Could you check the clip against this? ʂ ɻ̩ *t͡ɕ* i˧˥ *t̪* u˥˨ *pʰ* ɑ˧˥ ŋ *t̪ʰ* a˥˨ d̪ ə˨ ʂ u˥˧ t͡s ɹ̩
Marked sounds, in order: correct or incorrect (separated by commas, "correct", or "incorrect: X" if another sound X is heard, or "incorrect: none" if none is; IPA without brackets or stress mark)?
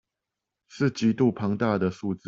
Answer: correct, correct, correct, incorrect: t̪